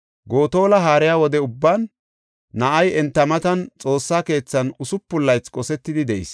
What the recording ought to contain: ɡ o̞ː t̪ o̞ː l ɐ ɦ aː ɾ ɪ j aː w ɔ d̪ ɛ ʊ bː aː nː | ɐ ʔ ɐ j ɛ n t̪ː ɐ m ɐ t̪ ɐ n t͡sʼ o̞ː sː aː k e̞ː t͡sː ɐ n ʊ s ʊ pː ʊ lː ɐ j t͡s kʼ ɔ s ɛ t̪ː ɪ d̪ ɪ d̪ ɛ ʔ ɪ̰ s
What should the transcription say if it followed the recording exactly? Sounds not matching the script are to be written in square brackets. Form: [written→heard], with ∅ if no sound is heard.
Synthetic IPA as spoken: ɡ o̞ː t̪ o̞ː l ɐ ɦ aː ɾ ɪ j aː w ɔ d̪ ɛ ʊ bː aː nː | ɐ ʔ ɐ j ɛ n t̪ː ɐ m ɐ t̪ ɐ n t͡sʼ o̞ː sː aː k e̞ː t͡sː ɐ n ʊ s ʊ pː ʊ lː ɐ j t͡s kʼ ɔ s ɛ t̪ː ɪ d̪ ɪ d̪ ɛ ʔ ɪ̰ s